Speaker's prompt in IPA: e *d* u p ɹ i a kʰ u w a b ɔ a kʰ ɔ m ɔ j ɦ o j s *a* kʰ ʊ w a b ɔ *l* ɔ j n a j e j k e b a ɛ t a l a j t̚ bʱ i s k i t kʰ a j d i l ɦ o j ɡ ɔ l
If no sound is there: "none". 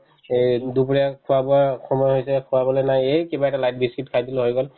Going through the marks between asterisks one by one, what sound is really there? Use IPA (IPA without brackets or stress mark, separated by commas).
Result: d, ɛ, l